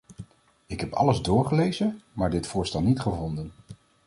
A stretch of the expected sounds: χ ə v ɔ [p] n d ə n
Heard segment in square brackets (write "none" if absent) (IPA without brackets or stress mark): none